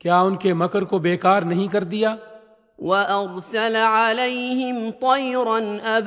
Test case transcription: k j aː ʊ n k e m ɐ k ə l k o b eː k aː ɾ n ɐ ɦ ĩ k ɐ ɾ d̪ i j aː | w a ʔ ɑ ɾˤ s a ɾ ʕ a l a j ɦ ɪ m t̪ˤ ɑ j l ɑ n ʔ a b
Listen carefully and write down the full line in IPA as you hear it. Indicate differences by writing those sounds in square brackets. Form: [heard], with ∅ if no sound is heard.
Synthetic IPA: k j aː ʊ n k e m ɐ k ə [ɾ] k o b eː k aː ɾ n ɐ ɦ ĩ k ɐ ɾ d̪ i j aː | w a ʔ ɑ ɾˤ s a [l] ʕ a l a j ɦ ɪ m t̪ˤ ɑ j [ɾ] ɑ n ʔ a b